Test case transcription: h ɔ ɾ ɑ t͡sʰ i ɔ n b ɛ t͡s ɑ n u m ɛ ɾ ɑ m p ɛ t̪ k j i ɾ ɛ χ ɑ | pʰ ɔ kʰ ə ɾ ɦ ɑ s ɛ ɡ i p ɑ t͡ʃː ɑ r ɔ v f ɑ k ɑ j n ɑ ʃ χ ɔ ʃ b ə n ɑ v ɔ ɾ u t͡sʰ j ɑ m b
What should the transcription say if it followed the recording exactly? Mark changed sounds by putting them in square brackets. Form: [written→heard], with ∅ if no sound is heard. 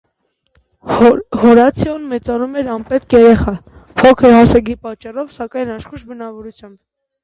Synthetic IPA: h ɔ ɾ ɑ t͡sʰ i ɔ n [b→m] ɛ t͡s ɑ n u m ɛ ɾ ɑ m p ɛ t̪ k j [i→ɛ] ɾ ɛ χ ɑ | pʰ ɔ kʰ ə ɾ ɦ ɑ s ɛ ɡ i p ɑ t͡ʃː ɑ r ɔ v [f→s] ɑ k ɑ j n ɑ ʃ χ [ɔ→u] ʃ b ə n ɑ v ɔ ɾ u t͡sʰ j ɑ m b